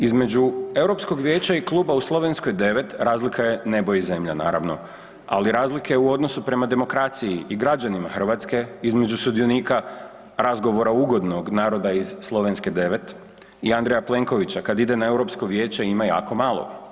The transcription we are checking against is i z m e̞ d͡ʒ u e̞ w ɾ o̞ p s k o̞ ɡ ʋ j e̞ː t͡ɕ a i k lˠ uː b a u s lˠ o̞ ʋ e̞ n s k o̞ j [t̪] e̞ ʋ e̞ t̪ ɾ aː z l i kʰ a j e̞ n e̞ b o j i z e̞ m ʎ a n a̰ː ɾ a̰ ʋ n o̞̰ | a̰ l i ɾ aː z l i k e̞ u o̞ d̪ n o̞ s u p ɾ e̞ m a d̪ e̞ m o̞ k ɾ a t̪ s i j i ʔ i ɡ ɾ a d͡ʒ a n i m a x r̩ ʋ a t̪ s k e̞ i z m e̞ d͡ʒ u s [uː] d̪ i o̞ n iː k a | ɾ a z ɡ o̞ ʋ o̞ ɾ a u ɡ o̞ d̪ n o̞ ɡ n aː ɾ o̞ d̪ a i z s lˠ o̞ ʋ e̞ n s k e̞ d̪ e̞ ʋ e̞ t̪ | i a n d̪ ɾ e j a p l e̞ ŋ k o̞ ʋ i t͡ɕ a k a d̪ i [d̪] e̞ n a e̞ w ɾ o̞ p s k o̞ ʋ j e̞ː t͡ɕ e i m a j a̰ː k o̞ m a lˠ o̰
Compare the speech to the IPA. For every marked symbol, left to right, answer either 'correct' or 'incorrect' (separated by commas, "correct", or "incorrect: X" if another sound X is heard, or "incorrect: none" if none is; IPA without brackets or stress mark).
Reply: incorrect: d̪, incorrect: u, correct